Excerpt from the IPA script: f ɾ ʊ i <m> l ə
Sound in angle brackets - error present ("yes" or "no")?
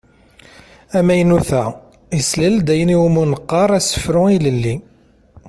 yes